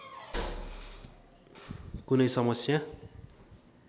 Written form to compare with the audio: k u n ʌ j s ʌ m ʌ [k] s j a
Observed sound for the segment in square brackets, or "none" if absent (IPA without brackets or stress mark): none